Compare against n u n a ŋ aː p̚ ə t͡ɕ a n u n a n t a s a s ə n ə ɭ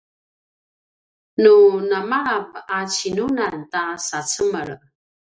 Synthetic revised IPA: n u n a m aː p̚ a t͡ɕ i n u n a n t a s a t͡s ə m ə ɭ